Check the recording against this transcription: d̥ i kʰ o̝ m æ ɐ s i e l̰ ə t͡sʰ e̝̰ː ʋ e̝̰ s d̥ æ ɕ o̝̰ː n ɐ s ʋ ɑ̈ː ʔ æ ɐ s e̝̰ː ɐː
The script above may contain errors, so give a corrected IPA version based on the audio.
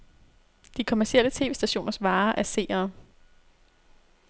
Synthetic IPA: d̥ i kʰ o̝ m æ ɐ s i e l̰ ə t͡sʰ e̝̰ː ʋ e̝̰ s d̥ æ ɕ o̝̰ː n ɐ s ʋ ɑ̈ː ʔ æ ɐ s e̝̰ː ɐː